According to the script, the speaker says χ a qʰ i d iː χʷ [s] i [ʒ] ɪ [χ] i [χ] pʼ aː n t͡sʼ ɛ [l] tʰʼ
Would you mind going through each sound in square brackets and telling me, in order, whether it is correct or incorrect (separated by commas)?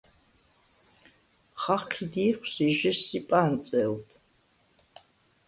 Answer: correct, correct, incorrect, incorrect, correct